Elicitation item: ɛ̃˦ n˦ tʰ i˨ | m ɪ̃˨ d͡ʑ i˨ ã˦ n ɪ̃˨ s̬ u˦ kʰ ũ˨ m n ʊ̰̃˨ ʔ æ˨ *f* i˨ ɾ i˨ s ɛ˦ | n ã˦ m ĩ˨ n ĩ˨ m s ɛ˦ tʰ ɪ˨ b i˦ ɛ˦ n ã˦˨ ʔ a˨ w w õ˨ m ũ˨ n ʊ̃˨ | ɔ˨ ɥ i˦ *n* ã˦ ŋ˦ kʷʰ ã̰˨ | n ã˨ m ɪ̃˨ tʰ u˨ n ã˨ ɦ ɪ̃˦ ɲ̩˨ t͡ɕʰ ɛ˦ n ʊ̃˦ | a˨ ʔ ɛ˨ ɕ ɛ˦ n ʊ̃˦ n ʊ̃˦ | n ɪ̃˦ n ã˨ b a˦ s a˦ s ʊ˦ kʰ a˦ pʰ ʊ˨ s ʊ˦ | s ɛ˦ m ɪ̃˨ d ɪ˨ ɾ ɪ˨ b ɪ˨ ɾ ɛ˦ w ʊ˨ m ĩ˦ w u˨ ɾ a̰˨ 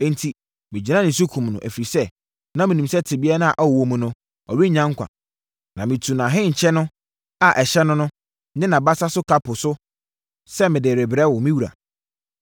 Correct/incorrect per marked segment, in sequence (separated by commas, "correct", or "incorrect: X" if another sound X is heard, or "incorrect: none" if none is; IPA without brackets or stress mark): correct, incorrect: ɲ